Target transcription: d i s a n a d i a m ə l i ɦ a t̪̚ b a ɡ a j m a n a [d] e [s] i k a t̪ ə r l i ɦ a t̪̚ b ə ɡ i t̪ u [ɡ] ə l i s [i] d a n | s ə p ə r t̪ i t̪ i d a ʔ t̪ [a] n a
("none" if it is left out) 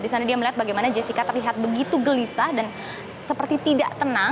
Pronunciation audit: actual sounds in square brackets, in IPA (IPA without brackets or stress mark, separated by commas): d͡ʒ, s, ɡ, a, ə